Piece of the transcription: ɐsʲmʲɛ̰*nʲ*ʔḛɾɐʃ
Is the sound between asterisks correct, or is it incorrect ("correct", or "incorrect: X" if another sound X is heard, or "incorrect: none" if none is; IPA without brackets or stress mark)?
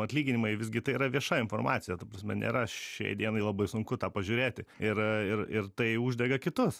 correct